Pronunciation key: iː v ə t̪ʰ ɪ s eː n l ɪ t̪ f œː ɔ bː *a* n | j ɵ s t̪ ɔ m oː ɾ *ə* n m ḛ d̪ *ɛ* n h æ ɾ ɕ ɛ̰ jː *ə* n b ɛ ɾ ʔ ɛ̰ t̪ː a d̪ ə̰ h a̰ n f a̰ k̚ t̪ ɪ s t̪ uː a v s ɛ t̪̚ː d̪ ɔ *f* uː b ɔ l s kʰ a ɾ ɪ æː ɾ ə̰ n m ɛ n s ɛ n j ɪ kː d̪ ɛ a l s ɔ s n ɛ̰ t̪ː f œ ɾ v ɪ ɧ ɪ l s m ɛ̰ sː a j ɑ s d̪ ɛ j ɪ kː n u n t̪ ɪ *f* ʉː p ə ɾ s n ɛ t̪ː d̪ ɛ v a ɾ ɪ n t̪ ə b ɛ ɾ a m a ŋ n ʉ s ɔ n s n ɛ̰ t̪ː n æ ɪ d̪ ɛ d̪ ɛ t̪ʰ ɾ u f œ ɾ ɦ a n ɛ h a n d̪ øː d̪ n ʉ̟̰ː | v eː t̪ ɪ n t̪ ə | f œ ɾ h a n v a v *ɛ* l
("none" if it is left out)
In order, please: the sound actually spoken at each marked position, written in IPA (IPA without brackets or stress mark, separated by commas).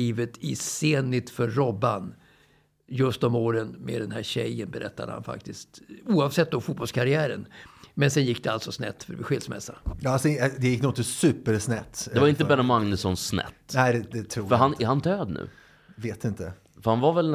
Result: a, ə, ɛ, ə, f, s, ɛ